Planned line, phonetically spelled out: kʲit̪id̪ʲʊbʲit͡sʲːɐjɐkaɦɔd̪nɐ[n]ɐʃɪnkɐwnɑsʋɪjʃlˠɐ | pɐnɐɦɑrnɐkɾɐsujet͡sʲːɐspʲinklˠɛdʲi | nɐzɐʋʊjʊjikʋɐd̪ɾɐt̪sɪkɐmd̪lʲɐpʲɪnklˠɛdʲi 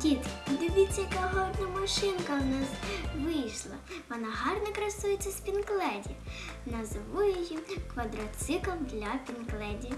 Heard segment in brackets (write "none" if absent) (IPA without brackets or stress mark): m